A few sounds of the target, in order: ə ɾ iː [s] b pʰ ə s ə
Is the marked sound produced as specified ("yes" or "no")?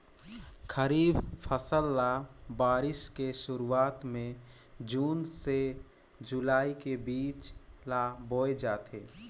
no